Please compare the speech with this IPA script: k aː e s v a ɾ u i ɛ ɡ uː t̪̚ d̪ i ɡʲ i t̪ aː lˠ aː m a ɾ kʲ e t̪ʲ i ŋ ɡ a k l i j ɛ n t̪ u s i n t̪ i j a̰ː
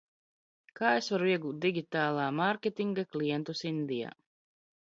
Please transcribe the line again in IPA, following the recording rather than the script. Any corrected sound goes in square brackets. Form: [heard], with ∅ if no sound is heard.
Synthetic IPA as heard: k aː e s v a ɾ u i ɛ ɡ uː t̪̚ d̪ i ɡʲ i t̪ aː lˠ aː m a ɾ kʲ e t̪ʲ i ŋ ɡ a k l i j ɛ n t̪ u s i n [d̪] i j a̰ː